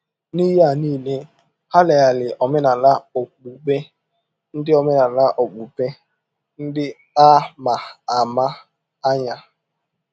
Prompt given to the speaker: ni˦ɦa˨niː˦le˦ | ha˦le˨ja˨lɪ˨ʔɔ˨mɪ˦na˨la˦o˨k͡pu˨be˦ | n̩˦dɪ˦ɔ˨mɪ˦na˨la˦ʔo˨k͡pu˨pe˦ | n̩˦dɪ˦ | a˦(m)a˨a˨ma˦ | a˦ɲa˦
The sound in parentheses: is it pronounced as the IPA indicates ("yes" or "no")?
yes